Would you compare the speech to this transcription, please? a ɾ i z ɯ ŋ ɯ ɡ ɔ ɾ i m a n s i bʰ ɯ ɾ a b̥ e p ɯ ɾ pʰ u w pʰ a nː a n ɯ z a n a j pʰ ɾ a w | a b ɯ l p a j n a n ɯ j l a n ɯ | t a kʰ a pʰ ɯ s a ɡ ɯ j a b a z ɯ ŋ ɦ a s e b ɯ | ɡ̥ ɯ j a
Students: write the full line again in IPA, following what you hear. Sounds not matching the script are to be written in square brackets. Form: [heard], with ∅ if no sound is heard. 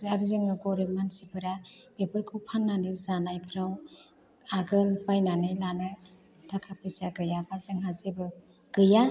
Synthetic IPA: a ɾ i z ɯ ŋ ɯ ɡ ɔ ɾ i m a n s i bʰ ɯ ɾ a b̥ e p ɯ ɾ [kʰ] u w pʰ a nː a n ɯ z a n a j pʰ ɾ a w | a [ɡ] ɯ l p a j n a n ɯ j l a n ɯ | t a kʰ a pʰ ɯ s a ɡ ɯ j a b a z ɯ ŋ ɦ a [z] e b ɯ | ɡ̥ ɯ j a